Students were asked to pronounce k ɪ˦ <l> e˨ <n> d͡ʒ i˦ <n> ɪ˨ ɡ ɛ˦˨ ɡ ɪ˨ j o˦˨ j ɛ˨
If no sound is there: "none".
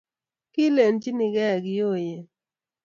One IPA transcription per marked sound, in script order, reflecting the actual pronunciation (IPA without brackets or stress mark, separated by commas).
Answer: l, n, n